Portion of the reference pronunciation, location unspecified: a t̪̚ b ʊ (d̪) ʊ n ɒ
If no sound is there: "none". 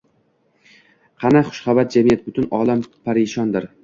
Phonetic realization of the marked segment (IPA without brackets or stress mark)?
t̪